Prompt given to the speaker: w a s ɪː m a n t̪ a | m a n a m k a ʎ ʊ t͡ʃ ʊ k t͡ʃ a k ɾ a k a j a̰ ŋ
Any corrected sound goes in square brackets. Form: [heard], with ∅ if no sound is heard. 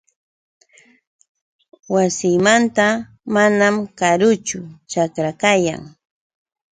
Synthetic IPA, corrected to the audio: w a s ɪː m a n t̪ a | m a n a m k a [ɾ] ʊ t͡ʃ ʊ [∅] t͡ʃ a k ɾ a k a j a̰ ŋ